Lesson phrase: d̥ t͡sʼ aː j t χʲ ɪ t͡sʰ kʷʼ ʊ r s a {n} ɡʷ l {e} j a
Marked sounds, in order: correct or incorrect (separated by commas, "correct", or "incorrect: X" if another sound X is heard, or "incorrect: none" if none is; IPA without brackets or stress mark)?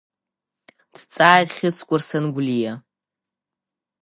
correct, incorrect: i